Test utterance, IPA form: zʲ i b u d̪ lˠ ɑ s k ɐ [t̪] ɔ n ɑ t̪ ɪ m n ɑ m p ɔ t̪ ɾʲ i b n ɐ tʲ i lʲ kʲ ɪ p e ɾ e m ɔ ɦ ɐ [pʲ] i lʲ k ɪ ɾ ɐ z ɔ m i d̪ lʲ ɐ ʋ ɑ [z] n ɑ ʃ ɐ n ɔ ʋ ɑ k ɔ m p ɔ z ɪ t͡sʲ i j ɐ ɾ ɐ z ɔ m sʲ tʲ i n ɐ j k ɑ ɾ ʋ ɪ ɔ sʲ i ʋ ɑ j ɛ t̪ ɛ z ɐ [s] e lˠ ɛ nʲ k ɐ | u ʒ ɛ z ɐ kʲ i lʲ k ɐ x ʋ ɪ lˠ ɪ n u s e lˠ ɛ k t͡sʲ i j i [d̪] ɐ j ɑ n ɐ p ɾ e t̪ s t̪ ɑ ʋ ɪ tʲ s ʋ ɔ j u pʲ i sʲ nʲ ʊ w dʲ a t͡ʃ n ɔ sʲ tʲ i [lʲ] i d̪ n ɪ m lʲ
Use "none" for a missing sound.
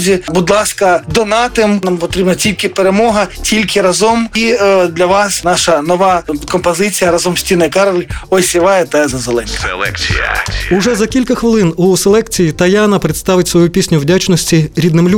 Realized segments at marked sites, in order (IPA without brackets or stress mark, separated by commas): d̪, tʲ, s, z, t̪, ɾʲ